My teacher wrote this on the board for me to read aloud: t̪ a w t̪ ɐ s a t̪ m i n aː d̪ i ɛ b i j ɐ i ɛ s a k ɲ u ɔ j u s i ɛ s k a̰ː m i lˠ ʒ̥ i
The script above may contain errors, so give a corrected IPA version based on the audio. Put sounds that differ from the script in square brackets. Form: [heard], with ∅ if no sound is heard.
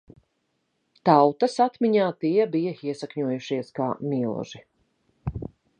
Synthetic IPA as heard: t̪ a w t̪ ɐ s a t̪ m i [ɲ] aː [t̪] i ɛ b i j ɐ i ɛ s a k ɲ u ɔ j u [ʃ] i ɛ s k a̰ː m i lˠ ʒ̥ i